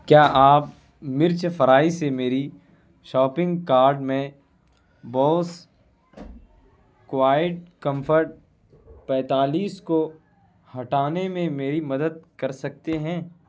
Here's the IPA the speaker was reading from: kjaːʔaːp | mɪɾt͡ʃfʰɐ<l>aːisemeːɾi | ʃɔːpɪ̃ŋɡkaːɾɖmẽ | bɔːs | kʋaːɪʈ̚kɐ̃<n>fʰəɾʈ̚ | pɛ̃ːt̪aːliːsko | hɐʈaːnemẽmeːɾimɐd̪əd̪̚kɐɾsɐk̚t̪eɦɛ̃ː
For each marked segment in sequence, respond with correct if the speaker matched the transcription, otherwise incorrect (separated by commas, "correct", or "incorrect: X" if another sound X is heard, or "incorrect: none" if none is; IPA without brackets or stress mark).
incorrect: ɾ, incorrect: m